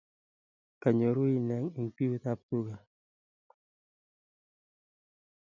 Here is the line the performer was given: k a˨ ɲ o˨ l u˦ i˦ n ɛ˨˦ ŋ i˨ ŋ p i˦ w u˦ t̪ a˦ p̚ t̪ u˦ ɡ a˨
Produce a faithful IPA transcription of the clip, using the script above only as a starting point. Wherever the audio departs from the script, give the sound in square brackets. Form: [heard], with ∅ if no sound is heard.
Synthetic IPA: k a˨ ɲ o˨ [ɾ] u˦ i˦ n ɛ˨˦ ŋ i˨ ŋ p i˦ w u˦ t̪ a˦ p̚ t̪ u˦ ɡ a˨